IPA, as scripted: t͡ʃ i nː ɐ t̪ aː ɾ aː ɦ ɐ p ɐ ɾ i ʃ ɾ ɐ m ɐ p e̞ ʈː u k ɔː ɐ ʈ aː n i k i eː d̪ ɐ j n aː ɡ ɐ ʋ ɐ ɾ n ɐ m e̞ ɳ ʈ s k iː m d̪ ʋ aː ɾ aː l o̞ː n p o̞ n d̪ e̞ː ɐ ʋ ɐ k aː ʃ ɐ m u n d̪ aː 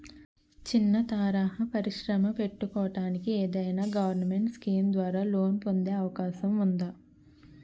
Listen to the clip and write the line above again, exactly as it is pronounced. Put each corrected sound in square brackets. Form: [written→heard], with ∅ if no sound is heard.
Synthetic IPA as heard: t͡ʃ i nː ɐ t̪ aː ɾ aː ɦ ɐ p ɐ ɾ i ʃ ɾ ɐ m ɐ p e̞ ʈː u k ɔː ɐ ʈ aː n i k i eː d̪ ɐ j n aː ɡ ɐ ʋ ɐ ɾ n ɐ m e̞ ɳ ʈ s k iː m d̪ ʋ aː ɾ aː l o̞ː n p o̞ n d̪ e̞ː ɐ ʋ ɐ k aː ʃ ɐ m u n d̪ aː

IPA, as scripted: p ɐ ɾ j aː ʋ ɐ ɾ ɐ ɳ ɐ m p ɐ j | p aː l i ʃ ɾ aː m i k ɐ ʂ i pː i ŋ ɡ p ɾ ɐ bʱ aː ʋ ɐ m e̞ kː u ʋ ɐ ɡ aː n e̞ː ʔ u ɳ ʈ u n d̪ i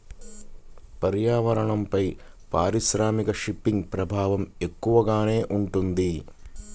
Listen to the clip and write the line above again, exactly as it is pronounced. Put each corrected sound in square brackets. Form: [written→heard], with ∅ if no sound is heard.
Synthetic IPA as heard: p ɐ ɾ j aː ʋ ɐ ɾ ɐ ɳ ɐ m p ɐ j | p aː [l→ɾ] i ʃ ɾ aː m i k ɐ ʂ i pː i ŋ ɡ p ɾ ɐ bʱ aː ʋ ɐ m e̞ kː u ʋ ɐ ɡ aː n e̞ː ʔ u ɳ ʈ u n d̪ i

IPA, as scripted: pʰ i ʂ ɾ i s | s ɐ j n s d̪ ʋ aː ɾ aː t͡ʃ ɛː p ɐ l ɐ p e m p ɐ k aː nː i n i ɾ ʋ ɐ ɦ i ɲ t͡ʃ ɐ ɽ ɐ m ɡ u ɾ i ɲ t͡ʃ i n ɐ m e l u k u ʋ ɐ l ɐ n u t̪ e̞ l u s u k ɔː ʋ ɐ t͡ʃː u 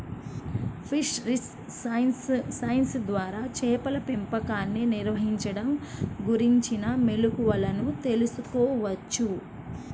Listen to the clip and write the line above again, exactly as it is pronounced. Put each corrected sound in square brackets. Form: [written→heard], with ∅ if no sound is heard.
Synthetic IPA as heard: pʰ i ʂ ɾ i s | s ɐ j n s d̪ ʋ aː ɾ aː t͡ʃ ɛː p ɐ l ɐ p e m p ɐ k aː nː i n i ɾ ʋ ɐ ɦ i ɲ t͡ʃ ɐ ɽ ɐ m ɡ u ɾ i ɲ t͡ʃ i n ɐ m e l u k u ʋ ɐ l ɐ n u t̪ e̞ l u s u k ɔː ʋ ɐ t͡ʃː u

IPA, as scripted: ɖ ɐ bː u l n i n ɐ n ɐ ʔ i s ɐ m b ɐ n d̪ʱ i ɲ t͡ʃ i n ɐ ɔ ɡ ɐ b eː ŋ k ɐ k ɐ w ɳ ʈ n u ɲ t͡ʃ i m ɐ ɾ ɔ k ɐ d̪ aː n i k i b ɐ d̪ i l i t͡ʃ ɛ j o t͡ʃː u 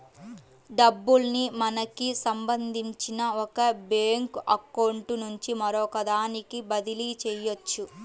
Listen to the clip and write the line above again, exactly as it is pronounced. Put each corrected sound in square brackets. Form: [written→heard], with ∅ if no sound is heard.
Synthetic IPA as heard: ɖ ɐ bː u l n i [n→m] ɐ n ɐ [ʔ→k] i s ɐ m b ɐ n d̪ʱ i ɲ t͡ʃ i n ɐ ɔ [ɡ→k] ɐ b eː ŋ k ɐ k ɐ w ɳ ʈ n u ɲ t͡ʃ i m ɐ ɾ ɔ k ɐ d̪ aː n i k i b ɐ d̪ i l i t͡ʃ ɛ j o t͡ʃː u

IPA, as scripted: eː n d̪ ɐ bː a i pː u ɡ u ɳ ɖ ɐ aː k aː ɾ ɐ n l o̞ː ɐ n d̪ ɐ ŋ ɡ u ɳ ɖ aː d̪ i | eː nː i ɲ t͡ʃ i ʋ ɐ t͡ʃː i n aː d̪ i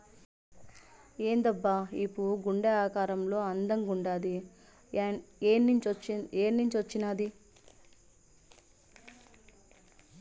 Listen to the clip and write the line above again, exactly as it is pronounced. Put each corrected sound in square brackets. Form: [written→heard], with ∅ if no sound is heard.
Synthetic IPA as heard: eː n d̪ ɐ bː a i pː u ɡ u ɳ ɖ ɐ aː k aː ɾ ɐ [n→m] l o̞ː ɐ n d̪ ɐ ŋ ɡ u ɳ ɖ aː d̪ i | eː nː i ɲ t͡ʃ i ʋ ɐ t͡ʃː i n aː d̪ i

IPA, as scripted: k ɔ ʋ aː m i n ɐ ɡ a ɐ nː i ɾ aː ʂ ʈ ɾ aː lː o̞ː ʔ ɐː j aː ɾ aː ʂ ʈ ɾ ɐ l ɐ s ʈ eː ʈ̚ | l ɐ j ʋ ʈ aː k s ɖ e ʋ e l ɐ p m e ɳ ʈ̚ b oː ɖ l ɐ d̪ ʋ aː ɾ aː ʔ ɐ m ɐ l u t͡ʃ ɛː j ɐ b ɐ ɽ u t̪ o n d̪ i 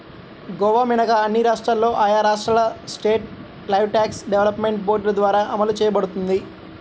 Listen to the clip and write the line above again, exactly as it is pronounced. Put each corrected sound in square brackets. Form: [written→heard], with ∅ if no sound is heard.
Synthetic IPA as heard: [k→ɡ] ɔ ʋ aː m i n ɐ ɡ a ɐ nː i ɾ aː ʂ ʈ ɾ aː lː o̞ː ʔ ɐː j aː ɾ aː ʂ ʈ ɾ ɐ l ɐ s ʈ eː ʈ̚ | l ɐ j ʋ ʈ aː k s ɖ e ʋ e l ɐ p m e ɳ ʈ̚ b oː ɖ l ɐ d̪ ʋ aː ɾ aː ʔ ɐ m ɐ l u t͡ʃ ɛː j ɐ b ɐ ɽ u t̪ [o→u] n d̪ i

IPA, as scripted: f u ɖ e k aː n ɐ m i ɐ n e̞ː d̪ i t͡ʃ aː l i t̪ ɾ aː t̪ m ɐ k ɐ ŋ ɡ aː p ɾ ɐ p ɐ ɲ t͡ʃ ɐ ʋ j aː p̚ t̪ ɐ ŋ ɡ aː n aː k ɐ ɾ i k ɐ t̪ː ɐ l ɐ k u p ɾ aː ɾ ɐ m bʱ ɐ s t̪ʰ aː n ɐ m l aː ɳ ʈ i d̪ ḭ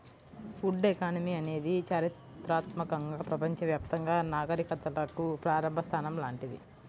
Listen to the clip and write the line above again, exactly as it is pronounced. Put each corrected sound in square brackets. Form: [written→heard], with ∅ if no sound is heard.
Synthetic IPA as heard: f u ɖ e k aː n ɐ m i ɐ n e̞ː d̪ i t͡ʃ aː [l→ɾ] i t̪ ɾ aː t̪ m ɐ k ɐ ŋ ɡ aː p ɾ ɐ p ɐ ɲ t͡ʃ ɐ ʋ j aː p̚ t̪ ɐ ŋ ɡ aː n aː [k→ɡ] ɐ ɾ i k ɐ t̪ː ɐ l ɐ k u p ɾ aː ɾ ɐ m bʱ ɐ s t̪ʰ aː n ɐ m l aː ɳ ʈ i d̪ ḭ

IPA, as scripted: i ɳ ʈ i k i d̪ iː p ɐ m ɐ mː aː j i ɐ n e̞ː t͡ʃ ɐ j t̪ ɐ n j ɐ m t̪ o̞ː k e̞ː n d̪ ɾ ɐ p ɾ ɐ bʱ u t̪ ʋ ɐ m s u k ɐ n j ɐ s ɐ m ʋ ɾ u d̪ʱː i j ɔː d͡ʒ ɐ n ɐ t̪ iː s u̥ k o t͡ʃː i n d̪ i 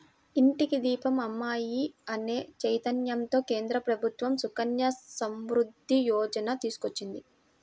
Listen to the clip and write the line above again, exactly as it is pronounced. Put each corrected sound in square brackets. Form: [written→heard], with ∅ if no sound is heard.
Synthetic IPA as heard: i ɳ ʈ i k i d̪ iː p ɐ m ɐ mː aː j i ɐ n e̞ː t͡ʃ ɐ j t̪ ɐ n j ɐ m t̪ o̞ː k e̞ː n d̪ ɾ ɐ p ɾ ɐ bʱ u t̪ ʋ ɐ m s u k ɐ n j ɐ s ɐ m ʋ ɾ u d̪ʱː i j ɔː d͡ʒ ɐ n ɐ t̪ iː s u̥ k o t͡ʃː i n d̪ i

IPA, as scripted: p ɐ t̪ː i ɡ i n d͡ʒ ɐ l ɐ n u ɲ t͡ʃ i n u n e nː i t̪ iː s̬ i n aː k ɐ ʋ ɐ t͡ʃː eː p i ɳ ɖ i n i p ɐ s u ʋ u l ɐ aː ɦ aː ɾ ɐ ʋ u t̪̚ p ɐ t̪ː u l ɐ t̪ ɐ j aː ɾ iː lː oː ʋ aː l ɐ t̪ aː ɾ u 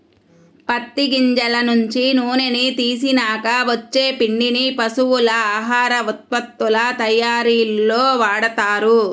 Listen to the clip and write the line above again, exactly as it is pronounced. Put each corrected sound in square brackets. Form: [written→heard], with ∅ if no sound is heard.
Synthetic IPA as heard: p ɐ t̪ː i ɡ i [n→ɲ] d͡ʒ ɐ l ɐ n u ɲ t͡ʃ i n [u→uː] n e [nː→n] i t̪ iː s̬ i n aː k ɐ ʋ ɐ t͡ʃː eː p i ɳ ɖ i n i p ɐ s u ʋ u l ɐ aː ɦ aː ɾ ɐ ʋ u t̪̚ p ɐ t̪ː u l ɐ t̪ ɐ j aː ɾ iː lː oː ʋ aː [l→ɽ] ɐ t̪ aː ɾ u

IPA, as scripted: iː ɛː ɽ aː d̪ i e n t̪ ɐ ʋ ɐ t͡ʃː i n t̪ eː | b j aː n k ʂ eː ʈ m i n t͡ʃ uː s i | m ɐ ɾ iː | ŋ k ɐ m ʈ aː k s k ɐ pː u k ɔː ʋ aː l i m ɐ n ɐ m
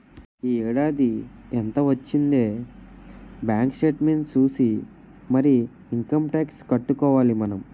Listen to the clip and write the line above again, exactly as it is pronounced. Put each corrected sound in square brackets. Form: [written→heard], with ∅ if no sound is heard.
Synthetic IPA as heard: iː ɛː ɽ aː d̪ i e n t̪ ɐ ʋ ɐ t͡ʃː i n [t̪→d̪] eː | b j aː [n→ŋ] k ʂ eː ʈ m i n t͡ʃ uː s i | m ɐ ɾ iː | ŋ k ɐ m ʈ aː k s k ɐ [pː→ʈː] u k ɔː ʋ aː l i m ɐ n ɐ m

